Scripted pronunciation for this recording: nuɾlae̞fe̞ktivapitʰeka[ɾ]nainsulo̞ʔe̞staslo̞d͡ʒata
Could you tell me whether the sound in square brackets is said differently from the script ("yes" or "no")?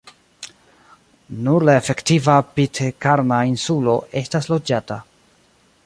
no